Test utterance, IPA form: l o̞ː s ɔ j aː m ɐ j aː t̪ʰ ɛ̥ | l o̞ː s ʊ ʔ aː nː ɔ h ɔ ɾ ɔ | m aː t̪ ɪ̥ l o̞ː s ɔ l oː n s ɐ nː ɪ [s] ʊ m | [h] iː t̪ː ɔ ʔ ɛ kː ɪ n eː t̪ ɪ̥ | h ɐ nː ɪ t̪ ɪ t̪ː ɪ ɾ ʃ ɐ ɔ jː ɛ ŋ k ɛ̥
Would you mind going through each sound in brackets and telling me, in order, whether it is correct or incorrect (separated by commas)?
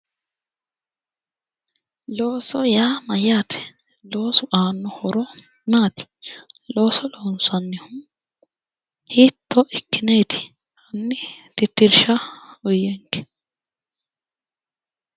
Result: incorrect, correct